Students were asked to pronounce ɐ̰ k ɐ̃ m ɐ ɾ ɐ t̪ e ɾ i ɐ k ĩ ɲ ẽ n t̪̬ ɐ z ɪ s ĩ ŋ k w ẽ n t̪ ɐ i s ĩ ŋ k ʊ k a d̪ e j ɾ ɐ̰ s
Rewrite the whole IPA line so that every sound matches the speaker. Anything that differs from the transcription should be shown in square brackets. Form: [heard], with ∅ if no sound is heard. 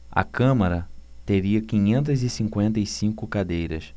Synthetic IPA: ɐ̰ k ɐ̃ m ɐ ɾ ɐ t̪ e ɾ i ɐ k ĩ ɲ ẽ n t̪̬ ɐ z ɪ s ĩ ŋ k w ẽ n t̪ ɐ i s ĩ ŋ k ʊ k a d̪ e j ɾ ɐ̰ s

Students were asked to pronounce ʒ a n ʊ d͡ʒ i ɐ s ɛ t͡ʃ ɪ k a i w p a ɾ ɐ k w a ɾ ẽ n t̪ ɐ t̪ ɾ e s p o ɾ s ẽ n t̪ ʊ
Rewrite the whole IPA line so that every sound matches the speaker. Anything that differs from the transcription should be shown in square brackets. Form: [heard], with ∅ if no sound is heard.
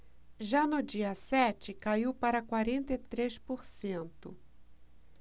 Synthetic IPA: ʒ a n ʊ d͡ʒ i ɐ s ɛ t͡ʃ ɪ k a i w p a ɾ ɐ k w a ɾ ẽ n t̪ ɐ t̪ ɾ e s p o ɾ s ẽ n t̪ ʊ

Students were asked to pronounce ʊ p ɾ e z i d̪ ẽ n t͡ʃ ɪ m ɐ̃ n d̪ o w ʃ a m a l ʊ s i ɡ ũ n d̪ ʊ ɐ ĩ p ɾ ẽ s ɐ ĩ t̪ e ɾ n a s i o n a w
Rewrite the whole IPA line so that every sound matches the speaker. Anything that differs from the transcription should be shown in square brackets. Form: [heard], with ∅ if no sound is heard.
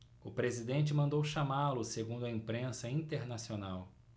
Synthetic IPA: ʊ p ɾ e z i d̪ ẽ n t͡ʃ ɪ m ɐ̃ n d̪ o w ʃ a m a l ʊ s [e] ɡ ũ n d̪ ʊ ɐ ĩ p ɾ ẽ s ɐ ĩ t̪ e ɾ n a s i o n a w

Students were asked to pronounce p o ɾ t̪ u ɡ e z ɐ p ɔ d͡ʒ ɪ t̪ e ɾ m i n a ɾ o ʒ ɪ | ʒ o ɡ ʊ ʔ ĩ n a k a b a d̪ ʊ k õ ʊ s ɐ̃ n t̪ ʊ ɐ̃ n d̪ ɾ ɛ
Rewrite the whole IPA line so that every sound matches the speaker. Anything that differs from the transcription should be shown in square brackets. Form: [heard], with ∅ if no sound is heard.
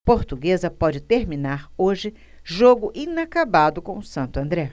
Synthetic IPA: p o ɾ t̪ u ɡ e z ɐ p ɔ d͡ʒ ɪ t̪ e ɾ m i n a ɾ o ʒ ɪ | ʒ o ɡ ʊ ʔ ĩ n a k a b a d̪ ʊ k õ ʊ s ɐ̃ n t̪ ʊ ɐ̃ n d̪ ɾ ɛ

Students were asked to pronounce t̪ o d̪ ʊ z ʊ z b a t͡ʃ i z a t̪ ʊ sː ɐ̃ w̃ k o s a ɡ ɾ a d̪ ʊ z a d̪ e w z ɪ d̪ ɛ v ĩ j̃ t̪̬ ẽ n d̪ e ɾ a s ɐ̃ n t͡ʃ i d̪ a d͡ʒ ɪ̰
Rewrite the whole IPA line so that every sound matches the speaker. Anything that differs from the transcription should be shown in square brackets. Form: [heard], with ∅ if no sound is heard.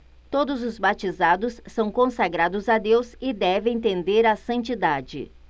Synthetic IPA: t̪ o d̪ ʊ z ʊ z b a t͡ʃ i z a [d̪] ʊ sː ɐ̃ w̃ k [õ] s a ɡ ɾ a d̪ ʊ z a d̪ e w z ɪ d̪ ɛ v [ẽ] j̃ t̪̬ ẽ n d̪ e ɾ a s ɐ̃ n t͡ʃ i d̪ a d͡ʒ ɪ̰

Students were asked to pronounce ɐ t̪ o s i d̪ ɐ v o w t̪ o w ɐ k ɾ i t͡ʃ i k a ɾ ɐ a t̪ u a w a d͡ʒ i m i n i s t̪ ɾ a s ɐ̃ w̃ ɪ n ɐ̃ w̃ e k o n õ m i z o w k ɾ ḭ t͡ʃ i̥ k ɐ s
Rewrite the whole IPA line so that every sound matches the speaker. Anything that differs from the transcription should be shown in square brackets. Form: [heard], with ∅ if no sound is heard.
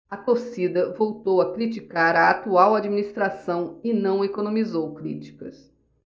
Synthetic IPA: ɐ t̪ o s i d̪ ɐ v o w t̪ o w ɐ k ɾ i t͡ʃ i k a ɾ ɐ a t̪ u a w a d͡ʒ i m i n i s t̪ ɾ a s ɐ̃ w̃ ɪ n ɐ̃ w̃ e k o n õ m i z o w k ɾ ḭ t͡ʃ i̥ k ɐ s

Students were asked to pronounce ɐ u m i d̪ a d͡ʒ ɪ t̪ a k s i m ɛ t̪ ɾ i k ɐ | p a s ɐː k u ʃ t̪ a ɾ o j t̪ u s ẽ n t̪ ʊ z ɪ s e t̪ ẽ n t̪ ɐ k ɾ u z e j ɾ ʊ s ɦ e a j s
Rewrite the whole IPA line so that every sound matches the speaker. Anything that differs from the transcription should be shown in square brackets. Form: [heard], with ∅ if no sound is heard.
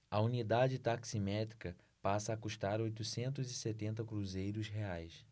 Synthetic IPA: ɐ u [n] i d̪ a d͡ʒ ɪ t̪ a k s i m ɛ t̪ ɾ i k ɐ | p a s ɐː k u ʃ t̪ a ɾ o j t̪ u s ẽ n t̪ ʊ z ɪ s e t̪ ẽ n t̪ ɐ k ɾ u z e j ɾ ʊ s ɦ e a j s

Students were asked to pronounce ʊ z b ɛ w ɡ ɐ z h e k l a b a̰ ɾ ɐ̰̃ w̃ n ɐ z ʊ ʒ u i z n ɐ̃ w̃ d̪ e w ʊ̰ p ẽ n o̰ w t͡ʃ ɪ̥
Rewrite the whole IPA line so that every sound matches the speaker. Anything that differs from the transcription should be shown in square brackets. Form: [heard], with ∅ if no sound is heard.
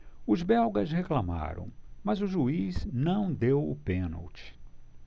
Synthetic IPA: ʊ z b ɛ w ɡ ɐ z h e k l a [m] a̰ ɾ ɐ̰̃ w̃ [m] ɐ z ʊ ʒ u i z n ɐ̃ w̃ d̪ e w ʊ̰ p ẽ n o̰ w t͡ʃ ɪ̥

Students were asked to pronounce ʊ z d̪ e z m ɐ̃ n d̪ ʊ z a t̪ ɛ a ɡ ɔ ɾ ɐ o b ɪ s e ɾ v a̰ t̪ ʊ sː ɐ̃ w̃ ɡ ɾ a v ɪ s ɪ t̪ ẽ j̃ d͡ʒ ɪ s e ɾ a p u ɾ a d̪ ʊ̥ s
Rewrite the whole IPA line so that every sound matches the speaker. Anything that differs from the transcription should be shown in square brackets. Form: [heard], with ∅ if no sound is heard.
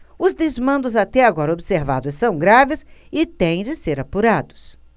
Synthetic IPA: ʊ z d̪ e z m ɐ̃ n d̪ ʊ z a t̪ ɛ a ɡ ɔ ɾ ɐ o b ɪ s e ɾ v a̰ [d̪] ʊ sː ɐ̃ w̃ ɡ ɾ a v ɪ s ɪ t̪ ẽ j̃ d͡ʒ ɪ s e ɾ a p u ɾ a d̪ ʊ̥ s

